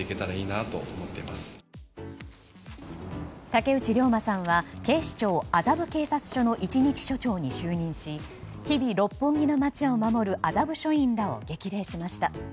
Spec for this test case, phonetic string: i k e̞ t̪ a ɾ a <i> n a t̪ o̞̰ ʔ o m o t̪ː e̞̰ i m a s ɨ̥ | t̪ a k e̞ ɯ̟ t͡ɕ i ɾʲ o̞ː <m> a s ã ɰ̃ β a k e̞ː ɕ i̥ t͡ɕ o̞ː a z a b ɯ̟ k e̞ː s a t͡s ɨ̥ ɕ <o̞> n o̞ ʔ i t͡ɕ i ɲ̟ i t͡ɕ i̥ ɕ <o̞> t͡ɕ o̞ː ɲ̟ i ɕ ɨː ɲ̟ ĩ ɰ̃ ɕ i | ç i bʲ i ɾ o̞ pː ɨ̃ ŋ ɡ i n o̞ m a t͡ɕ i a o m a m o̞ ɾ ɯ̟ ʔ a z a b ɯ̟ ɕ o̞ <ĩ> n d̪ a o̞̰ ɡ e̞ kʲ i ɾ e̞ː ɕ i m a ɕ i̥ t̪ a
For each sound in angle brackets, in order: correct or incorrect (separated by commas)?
incorrect, correct, correct, correct, correct